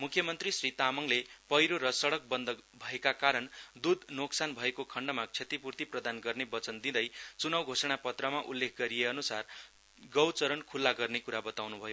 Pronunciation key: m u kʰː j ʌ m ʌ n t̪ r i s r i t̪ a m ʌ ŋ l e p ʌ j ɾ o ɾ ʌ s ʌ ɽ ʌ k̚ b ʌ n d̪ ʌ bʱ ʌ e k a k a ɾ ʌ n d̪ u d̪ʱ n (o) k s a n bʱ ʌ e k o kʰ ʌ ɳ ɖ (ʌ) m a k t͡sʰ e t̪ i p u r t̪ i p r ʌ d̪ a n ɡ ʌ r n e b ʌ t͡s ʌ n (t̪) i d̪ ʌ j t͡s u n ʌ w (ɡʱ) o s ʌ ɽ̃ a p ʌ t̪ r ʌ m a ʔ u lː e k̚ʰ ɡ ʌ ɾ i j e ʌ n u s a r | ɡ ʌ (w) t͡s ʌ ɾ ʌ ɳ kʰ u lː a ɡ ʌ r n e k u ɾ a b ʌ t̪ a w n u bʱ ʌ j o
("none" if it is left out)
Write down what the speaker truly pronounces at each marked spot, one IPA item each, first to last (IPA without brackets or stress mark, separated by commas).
o, ʌ, d̪, ɡʱ, w